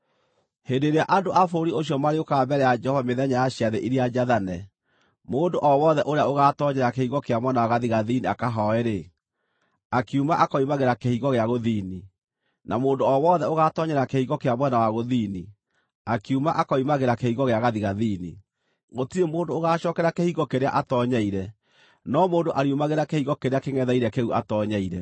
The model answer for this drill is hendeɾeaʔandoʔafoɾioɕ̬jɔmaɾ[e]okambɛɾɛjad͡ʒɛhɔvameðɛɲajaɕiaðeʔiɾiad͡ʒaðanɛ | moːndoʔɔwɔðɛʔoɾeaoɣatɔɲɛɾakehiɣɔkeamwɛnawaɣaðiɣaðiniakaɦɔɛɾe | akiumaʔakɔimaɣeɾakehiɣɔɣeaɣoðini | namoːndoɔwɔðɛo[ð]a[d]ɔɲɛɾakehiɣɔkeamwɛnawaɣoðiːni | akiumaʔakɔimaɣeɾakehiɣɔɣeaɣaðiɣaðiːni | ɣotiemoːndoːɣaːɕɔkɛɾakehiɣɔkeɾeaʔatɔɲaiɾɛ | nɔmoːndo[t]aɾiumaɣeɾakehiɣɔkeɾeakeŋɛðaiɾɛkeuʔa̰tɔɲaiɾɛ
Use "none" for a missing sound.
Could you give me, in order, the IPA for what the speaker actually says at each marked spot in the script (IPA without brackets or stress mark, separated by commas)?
e, ɣ, t, ʔ